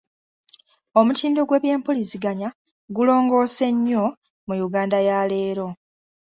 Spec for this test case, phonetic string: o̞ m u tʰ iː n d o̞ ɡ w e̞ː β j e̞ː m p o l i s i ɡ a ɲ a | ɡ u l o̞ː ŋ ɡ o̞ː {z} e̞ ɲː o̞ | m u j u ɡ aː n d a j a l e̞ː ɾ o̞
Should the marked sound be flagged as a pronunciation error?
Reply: yes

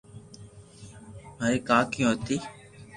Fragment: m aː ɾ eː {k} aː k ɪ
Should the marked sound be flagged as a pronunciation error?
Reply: no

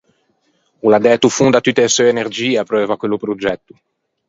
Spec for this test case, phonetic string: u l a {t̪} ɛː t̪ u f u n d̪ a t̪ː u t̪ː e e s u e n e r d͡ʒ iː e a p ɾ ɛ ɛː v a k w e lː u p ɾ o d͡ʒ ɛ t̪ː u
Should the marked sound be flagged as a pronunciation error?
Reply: yes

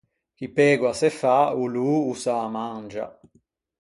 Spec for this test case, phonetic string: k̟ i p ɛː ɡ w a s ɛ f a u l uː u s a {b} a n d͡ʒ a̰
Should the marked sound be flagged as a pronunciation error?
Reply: yes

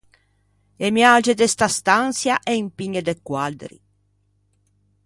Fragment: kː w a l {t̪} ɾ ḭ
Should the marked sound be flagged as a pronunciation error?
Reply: yes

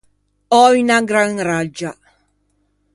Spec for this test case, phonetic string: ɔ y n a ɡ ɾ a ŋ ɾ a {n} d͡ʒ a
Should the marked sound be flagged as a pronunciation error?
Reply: yes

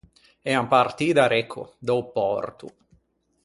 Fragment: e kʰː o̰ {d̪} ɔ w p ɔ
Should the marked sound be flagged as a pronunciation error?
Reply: no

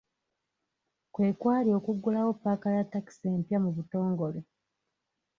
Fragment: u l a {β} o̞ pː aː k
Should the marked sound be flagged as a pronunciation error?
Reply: yes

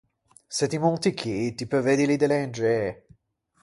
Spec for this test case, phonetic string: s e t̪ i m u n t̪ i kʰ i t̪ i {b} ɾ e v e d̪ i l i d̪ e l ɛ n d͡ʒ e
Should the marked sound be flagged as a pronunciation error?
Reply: yes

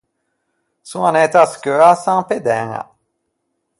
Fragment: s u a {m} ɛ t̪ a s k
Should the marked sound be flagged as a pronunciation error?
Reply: yes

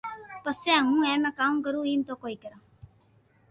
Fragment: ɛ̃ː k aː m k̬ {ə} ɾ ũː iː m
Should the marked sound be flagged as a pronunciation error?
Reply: no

